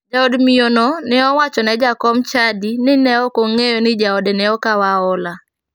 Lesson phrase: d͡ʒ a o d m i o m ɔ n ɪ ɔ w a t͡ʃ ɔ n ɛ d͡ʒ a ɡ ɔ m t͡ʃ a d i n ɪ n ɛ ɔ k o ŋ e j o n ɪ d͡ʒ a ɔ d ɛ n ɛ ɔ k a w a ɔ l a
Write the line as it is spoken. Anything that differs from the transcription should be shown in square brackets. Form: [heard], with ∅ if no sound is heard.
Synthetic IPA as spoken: d͡ʒ a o d m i o [n] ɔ n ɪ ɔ w a t͡ʃ ɔ n ɛ d͡ʒ a [k] ɔ m t͡ʃ a d i n ɪ n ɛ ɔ k o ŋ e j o n ɪ d͡ʒ a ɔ d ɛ n ɛ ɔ k a w a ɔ l a

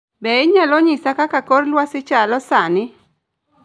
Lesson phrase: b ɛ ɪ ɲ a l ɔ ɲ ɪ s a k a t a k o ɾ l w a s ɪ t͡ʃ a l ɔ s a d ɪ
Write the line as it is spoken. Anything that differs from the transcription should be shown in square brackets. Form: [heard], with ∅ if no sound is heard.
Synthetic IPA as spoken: b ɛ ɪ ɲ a l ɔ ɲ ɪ s a k a [k] a k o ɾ l w a s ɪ t͡ʃ a l ɔ s a [n] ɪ

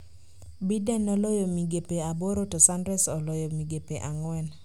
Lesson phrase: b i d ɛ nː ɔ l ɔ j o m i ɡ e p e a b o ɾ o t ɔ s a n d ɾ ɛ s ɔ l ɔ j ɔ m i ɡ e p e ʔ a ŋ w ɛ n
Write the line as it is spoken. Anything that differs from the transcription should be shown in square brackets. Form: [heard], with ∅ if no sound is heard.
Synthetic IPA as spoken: b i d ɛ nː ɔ l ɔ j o m i ɡ e p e a b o ɾ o t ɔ s a n d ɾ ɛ s ɔ l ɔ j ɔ m i ɡ e p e ʔ a ŋ w ɛ n

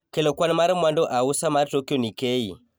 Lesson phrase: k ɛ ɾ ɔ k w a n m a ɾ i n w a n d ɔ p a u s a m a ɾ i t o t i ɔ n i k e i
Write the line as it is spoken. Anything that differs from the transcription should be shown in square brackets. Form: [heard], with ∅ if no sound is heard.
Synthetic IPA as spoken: k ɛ [l] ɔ k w a n m a ɾ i [m] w a n d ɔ [ʔ] a u s a m a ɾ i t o [k] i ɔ n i k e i

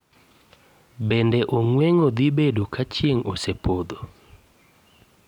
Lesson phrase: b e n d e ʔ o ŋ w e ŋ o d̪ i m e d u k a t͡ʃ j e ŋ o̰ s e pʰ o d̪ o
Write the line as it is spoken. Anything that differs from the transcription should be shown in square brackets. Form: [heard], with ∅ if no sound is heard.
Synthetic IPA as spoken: b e n d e ʔ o ŋ w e ŋ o d̪ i [b] e d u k a t͡ʃ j e ŋ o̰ s e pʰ o d̪ o

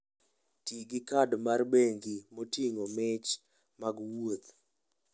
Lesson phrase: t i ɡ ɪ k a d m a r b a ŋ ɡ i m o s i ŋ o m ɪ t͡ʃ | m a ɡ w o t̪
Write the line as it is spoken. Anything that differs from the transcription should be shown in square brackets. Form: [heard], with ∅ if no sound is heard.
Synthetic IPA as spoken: t i ɡ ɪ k a d m a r b [e] ŋ ɡ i m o [t] i ŋ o m ɪ t͡ʃ | m a ɡ w o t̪

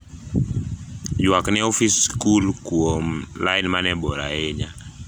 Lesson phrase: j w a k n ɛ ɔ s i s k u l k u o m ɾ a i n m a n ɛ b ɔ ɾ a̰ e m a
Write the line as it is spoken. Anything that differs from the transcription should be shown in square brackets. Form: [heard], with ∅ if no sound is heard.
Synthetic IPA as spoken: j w a k n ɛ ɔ [f] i s k u l k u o m [l] a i n m a n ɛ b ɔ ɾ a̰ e [ɲ] a

